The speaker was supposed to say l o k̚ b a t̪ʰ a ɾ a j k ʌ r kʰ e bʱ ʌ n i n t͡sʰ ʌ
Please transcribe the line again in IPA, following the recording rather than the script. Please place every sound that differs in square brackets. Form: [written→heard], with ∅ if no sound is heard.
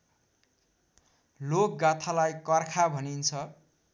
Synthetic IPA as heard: l o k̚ [b→ɡ] a t̪ʰ a [ɾ→l] a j k ʌ r kʰ [e→a] bʱ ʌ n i n t͡sʰ ʌ

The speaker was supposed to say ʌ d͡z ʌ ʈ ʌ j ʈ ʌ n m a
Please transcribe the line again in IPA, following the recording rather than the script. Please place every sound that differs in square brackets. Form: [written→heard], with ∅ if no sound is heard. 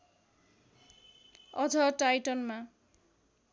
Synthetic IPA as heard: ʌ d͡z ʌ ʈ [ʌ→a] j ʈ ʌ n m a

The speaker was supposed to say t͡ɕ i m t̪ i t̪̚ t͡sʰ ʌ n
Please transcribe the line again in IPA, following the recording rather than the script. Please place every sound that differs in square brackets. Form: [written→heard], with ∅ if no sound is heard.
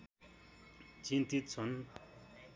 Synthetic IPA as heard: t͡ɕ i [m→n] t̪ i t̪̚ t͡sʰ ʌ n

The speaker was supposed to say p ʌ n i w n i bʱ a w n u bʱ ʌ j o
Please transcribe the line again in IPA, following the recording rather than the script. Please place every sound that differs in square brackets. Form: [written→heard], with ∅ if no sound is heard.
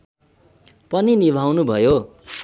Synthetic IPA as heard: p ʌ n i [w→∅] n i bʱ a w n u bʱ ʌ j o

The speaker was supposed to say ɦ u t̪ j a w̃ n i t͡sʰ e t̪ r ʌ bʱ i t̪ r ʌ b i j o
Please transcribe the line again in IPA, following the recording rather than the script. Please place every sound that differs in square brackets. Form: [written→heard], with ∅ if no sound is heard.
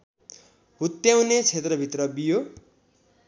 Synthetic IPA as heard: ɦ u t̪ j a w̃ n [i→e] t͡sʰ e t̪ r ʌ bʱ i t̪ r ʌ b i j o

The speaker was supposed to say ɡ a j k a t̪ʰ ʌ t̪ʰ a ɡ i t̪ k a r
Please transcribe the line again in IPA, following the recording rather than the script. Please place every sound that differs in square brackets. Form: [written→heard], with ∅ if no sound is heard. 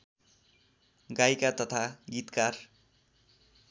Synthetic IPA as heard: ɡ a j k a [t̪ʰ→t̪] ʌ t̪ʰ a ɡ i t̪ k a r

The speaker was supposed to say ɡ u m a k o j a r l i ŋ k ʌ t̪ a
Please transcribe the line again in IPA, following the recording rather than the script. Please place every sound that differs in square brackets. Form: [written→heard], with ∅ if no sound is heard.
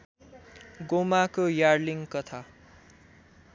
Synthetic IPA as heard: ɡ [u→o] m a k o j a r l i ŋ k ʌ [t̪→t̪ʰ] a

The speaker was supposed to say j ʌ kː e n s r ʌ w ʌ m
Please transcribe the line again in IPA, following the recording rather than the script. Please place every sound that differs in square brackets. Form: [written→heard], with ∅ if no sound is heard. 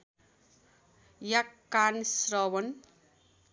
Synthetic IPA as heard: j [ʌ→a] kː [e→a] n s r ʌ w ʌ [m→n]

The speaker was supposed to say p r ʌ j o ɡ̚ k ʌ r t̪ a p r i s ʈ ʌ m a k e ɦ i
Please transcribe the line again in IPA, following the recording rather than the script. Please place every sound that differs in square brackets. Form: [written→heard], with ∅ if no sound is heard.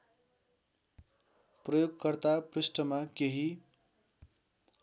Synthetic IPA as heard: p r ʌ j o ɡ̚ k ʌ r t̪ a p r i s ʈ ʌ m a k e ɦ i

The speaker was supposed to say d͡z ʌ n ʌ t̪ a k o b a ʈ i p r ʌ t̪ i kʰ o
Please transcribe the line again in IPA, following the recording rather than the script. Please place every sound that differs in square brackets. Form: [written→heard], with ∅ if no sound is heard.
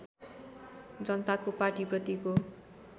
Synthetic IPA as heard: d͡z ʌ n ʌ t̪ a k o [b→p] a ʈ i p r ʌ t̪ i [kʰ→k] o

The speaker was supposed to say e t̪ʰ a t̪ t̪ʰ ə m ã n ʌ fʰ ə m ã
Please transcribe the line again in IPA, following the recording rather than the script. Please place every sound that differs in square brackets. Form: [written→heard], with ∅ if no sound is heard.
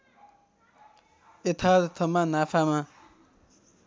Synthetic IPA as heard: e t̪ʰ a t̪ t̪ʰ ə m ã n [ʌ→a] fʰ [ə→a] m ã

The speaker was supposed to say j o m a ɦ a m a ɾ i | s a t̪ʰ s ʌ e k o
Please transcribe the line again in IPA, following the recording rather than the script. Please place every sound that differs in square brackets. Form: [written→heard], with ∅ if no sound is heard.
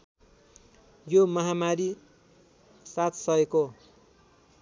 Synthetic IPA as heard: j o m [a→ʌ] ɦ a m a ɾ i | s a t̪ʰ s ʌ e k o

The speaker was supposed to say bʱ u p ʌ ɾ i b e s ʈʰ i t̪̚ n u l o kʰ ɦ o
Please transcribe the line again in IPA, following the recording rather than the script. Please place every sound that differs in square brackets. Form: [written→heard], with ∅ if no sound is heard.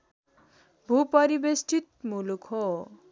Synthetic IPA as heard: bʱ u p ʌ ɾ i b e s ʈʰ i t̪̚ [n→m] u l [o→u] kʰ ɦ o

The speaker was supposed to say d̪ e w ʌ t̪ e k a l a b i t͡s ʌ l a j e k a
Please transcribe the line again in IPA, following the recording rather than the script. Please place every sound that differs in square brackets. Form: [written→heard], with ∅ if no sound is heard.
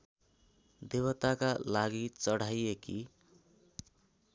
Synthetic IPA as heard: d̪ e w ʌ t̪ [e→a] k a l a [b→ɡ] i t͡s ʌ [l→ɽ] a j e k [a→i]

